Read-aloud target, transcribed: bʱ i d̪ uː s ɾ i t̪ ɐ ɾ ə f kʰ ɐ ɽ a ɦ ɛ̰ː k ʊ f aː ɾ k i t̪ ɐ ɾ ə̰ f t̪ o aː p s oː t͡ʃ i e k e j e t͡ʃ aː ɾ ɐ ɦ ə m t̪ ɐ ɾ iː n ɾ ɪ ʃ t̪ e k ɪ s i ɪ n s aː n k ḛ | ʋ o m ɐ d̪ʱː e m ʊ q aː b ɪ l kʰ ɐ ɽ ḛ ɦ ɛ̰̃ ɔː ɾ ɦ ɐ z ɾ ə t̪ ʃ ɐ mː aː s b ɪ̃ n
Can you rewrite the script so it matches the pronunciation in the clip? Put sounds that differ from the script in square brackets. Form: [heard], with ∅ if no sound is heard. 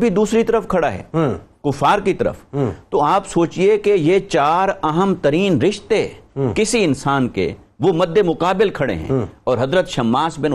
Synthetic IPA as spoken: bʱ i d̪ uː s ɾ i t̪ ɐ ɾ ə f kʰ ɐ ɽ a ɦ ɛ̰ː k ʊ f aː ɾ k i t̪ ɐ ɾ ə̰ f t̪ o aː p s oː t͡ʃ i e k e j e t͡ʃ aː ɾ ɐ ɦ ə m t̪ ɐ ɾ iː n ɾ ɪ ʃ t̪ e k ɪ s i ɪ n s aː n k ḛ | ʋ o m ɐ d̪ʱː e m ʊ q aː b ɪ l kʰ ɐ ɽ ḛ ɦ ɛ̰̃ ɔː ɾ ɦ ɐ z ɾ ə t̪ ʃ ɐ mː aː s b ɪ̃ n